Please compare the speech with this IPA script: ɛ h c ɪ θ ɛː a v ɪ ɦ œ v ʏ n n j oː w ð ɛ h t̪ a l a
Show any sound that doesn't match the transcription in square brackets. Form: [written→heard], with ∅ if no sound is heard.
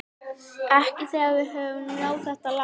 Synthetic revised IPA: ɛ h c ɪ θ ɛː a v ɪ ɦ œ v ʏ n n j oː w [ð→θ] ɛ h t̪ a l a